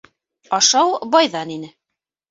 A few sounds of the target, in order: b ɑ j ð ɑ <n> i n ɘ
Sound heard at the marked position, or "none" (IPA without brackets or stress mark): n